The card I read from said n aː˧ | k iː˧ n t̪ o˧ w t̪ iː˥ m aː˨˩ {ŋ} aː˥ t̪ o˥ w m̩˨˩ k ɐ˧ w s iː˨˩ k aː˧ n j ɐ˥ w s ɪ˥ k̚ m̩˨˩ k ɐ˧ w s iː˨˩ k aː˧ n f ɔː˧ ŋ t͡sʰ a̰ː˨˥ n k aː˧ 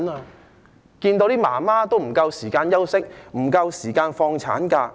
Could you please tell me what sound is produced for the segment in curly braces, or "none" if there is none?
m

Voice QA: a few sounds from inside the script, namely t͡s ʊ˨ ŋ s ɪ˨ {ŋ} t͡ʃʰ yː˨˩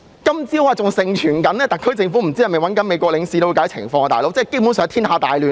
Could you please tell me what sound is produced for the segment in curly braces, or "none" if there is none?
ŋ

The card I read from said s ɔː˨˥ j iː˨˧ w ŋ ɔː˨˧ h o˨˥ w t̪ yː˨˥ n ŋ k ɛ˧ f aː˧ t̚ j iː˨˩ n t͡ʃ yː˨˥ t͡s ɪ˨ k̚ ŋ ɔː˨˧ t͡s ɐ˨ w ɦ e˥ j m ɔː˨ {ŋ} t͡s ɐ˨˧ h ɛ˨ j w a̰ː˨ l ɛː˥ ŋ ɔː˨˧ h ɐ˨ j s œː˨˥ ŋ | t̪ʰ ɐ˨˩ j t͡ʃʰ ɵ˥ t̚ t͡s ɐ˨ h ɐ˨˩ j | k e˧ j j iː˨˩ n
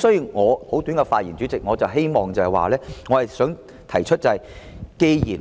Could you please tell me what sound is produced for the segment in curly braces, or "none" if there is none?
ŋ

